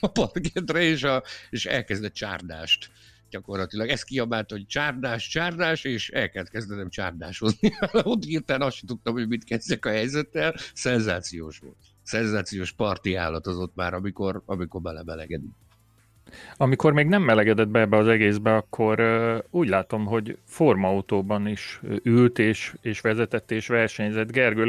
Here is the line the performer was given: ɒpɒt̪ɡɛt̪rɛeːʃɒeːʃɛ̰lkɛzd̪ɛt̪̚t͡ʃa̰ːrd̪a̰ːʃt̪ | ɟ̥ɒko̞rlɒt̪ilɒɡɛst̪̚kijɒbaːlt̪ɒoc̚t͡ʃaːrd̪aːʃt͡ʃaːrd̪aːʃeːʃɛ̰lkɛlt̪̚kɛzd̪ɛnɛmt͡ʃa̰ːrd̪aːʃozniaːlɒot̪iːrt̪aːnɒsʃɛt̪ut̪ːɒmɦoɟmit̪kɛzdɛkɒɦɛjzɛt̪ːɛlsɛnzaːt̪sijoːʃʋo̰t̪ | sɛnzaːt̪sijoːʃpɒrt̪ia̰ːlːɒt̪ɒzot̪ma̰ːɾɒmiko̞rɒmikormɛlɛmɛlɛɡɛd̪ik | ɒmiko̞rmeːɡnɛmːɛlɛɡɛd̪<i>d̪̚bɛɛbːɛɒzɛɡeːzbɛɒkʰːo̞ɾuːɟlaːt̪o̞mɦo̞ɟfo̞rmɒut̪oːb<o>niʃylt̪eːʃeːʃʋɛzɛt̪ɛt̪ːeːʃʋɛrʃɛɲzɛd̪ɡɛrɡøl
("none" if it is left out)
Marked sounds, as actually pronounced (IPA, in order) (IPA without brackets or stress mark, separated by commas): ɛ, ɒ